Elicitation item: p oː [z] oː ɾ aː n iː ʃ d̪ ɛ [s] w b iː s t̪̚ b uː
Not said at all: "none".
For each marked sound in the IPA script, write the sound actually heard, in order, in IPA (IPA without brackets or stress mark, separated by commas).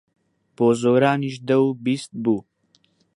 z, none